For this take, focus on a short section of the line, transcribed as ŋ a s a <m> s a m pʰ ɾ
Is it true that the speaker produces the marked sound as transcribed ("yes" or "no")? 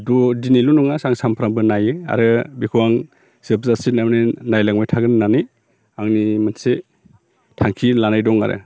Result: no